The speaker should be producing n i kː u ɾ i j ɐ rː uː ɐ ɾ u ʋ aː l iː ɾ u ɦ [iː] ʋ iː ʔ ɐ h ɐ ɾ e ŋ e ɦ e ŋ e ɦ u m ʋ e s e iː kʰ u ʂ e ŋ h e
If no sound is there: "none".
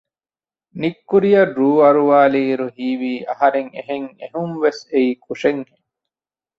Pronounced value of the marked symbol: iː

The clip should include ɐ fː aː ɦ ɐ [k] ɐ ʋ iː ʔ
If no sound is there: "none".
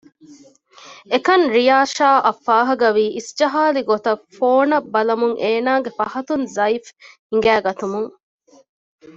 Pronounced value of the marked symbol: ɡ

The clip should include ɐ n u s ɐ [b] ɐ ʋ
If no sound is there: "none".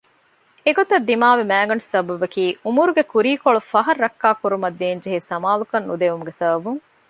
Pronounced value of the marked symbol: b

